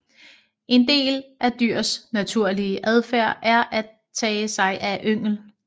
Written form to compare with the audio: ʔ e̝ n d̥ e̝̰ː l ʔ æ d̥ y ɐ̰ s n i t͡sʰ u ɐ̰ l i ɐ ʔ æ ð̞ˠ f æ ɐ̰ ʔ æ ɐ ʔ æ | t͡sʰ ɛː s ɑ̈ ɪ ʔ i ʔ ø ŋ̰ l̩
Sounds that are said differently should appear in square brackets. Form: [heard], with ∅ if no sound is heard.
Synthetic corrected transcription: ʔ e̝ n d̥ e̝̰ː l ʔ æ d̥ y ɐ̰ s n [æ] t͡sʰ u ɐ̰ l i [ə] ʔ æ ð̞ˠ f æ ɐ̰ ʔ æ ɐ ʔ æ | t͡sʰ ɛː s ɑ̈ ɪ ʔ [æ] ʔ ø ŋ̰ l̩